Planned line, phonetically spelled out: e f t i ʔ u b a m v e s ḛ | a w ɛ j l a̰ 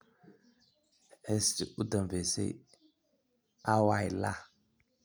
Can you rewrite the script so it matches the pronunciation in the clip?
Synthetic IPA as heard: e s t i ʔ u d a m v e s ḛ | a w a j l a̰